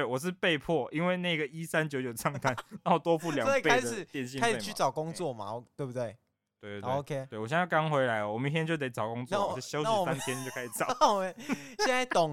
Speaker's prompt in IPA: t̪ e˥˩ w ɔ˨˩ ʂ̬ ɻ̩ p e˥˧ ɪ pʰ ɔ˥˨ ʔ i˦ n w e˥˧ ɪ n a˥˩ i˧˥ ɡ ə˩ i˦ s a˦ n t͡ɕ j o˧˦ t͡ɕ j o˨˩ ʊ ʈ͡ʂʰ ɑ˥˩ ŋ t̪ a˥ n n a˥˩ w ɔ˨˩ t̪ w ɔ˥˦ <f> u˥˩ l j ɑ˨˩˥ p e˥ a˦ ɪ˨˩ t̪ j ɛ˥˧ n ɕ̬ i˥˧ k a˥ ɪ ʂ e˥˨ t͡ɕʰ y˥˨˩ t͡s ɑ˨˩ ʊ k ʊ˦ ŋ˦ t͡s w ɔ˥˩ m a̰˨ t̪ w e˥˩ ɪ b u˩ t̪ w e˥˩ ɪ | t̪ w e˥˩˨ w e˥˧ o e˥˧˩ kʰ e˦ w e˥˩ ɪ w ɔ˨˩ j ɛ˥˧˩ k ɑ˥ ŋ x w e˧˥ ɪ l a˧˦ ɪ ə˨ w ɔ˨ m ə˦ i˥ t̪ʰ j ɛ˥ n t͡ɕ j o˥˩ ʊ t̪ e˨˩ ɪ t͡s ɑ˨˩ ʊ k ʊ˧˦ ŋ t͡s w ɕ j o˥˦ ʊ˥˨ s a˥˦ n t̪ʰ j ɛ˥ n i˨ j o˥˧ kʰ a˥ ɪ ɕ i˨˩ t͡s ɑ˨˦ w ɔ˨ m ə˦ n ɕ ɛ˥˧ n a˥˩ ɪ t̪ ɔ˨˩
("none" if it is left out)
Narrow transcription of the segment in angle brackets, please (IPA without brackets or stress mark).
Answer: f